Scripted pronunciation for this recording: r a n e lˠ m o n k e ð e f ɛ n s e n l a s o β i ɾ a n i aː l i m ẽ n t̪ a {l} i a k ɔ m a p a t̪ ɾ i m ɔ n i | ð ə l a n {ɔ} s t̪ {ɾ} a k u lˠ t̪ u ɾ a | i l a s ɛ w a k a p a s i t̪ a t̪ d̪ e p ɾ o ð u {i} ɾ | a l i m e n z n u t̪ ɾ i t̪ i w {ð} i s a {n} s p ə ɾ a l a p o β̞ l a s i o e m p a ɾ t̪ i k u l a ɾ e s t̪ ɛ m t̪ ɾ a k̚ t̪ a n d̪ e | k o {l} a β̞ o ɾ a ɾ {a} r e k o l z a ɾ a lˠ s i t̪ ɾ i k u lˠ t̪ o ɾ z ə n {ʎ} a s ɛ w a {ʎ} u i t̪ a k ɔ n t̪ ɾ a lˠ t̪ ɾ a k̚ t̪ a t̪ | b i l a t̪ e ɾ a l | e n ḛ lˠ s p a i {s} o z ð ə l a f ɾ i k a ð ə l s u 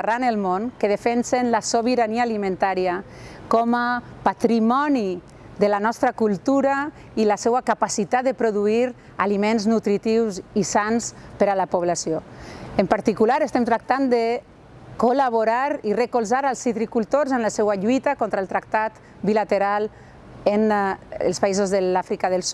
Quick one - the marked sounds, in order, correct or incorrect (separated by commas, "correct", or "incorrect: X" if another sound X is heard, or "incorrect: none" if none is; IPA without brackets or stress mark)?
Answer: incorrect: ɾ, correct, correct, correct, incorrect: z, correct, correct, incorrect: i, incorrect: l, correct, incorrect: z